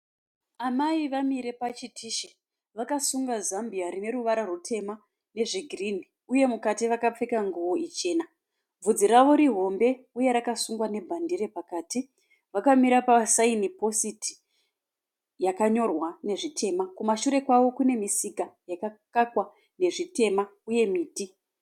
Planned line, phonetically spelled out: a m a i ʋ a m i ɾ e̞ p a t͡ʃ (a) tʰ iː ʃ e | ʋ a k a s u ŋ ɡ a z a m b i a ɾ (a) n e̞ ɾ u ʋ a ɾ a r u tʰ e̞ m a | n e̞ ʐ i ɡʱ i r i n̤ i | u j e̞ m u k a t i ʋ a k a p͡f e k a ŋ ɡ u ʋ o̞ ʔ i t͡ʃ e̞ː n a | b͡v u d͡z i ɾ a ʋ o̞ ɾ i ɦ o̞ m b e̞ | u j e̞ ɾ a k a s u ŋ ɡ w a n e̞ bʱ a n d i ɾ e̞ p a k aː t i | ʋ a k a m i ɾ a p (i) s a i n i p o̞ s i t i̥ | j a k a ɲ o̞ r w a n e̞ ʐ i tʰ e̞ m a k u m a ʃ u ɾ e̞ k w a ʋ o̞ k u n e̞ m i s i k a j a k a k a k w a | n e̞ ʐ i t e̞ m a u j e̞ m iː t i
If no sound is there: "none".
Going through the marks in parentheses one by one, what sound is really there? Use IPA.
i, i, a

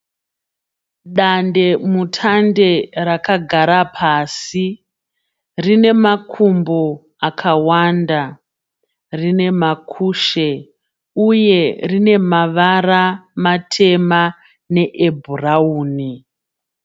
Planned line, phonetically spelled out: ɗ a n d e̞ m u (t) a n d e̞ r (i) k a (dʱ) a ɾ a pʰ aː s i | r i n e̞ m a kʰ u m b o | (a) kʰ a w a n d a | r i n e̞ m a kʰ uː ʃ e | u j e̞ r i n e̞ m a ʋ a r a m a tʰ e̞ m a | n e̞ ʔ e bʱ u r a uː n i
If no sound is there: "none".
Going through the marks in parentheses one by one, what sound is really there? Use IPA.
tʰ, a, ɡʱ, a

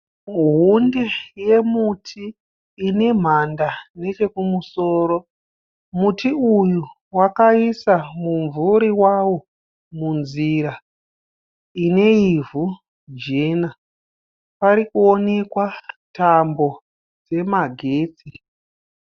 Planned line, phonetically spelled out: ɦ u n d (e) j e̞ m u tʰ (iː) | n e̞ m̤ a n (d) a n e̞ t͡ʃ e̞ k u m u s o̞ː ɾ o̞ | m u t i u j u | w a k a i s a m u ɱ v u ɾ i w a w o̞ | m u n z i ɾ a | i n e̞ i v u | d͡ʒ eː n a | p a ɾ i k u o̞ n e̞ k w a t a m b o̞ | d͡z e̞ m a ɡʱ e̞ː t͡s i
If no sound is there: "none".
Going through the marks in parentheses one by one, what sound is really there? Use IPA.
e, iː, d

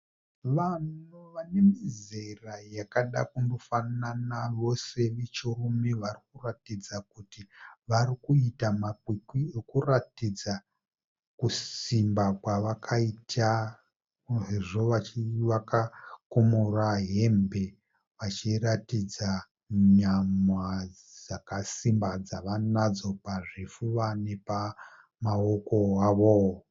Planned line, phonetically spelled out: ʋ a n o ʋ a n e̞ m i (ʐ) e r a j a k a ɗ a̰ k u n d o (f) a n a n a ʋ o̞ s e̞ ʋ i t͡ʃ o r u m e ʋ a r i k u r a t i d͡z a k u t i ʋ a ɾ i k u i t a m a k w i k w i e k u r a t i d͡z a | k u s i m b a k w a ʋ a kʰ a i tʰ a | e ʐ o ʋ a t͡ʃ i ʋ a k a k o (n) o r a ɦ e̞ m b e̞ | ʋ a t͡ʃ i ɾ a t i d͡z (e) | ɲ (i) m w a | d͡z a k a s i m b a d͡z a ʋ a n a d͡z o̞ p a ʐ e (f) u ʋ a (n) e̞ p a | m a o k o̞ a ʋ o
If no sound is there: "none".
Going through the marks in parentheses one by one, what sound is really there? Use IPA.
z, f, m, a, a, f, n

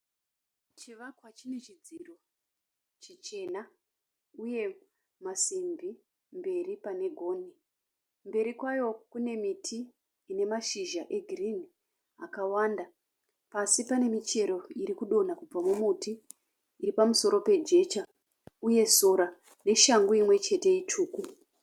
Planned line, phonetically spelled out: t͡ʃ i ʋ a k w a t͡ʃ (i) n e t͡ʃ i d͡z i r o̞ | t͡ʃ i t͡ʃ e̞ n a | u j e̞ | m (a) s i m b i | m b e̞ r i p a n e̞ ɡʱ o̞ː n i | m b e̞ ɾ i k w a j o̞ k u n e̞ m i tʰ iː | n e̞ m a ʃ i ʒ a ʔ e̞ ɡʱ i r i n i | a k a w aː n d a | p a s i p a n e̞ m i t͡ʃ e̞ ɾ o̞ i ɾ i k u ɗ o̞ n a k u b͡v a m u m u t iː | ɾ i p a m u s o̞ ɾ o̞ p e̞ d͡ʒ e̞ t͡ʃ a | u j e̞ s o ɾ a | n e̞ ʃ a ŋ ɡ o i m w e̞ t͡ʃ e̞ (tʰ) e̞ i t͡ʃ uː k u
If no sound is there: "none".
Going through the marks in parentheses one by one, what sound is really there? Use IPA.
i, a, t

